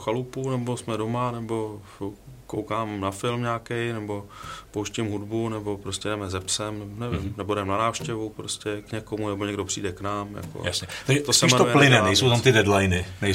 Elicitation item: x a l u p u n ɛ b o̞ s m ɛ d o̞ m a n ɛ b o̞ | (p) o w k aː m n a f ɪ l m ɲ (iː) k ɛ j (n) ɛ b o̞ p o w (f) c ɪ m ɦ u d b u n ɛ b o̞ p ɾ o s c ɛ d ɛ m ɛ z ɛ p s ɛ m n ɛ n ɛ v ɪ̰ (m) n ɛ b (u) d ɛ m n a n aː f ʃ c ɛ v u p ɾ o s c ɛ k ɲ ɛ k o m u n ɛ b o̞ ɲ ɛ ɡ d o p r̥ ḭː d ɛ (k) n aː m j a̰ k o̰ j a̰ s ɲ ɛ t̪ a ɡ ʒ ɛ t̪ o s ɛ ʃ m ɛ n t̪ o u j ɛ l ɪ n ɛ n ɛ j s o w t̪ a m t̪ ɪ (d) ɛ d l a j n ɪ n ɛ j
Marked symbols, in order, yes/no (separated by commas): no, no, yes, no, yes, no, yes, yes